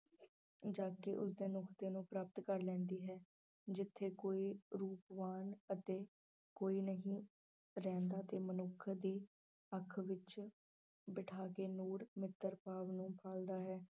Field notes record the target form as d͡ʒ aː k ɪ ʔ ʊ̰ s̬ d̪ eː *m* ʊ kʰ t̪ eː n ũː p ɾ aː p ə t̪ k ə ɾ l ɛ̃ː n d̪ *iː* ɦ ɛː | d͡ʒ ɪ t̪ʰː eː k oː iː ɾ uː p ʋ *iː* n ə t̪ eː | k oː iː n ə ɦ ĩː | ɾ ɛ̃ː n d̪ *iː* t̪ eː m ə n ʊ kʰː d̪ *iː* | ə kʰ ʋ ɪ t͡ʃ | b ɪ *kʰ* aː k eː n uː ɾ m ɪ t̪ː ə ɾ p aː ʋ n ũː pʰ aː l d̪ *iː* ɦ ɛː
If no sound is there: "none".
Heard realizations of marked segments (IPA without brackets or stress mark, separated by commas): n, iː, aː, aː, iː, ʈʰ, aː